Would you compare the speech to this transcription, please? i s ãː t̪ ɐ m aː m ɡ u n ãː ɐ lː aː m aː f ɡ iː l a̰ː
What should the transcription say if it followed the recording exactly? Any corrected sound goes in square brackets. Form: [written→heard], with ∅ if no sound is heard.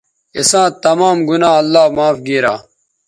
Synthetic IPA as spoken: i s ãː t̪ ɐ m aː m ɡ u n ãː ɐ lː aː m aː f ɡ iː [l→ɾ] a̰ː